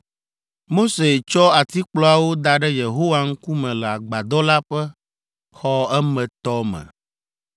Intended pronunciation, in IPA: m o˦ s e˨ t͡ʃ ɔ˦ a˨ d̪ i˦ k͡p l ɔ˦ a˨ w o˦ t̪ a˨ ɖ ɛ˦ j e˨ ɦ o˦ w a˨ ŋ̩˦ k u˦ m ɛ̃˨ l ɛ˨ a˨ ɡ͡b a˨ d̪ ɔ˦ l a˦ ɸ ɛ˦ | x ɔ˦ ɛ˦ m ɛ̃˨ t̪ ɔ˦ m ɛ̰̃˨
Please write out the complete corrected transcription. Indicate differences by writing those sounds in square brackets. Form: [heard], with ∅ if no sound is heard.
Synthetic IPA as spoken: m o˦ s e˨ t͡ʃ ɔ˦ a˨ [t̪] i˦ k͡p l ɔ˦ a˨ w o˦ [d̪] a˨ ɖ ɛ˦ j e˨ ɦ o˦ w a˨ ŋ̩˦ k u˦ m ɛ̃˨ l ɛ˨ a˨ ɡ͡b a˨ d̪ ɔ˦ l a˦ ɸ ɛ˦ | x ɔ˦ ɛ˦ m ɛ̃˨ t̪ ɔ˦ m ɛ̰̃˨